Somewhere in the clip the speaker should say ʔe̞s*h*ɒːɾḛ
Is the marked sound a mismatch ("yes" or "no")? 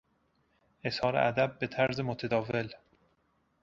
no